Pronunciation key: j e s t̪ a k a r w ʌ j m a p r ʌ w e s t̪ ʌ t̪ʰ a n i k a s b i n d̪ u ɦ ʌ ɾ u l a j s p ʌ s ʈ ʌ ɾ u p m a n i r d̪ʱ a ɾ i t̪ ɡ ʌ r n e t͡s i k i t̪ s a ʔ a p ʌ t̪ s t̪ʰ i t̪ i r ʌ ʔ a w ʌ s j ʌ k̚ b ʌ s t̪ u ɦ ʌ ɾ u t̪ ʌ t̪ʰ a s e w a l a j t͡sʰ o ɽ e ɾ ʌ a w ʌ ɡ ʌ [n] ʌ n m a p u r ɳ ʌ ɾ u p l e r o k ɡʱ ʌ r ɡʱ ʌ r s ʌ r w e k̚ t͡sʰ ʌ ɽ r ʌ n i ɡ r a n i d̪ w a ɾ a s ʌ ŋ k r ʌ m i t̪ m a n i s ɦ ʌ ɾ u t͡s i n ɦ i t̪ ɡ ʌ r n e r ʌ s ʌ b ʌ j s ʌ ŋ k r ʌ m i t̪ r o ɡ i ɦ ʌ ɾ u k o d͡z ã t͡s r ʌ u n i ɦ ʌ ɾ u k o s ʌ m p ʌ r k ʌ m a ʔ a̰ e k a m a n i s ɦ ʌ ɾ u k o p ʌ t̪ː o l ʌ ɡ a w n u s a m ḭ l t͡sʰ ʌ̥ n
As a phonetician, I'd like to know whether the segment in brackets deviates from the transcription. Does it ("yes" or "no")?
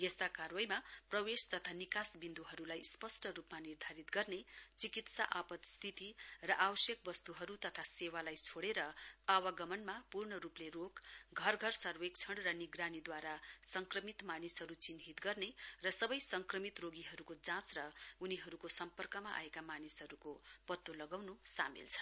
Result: yes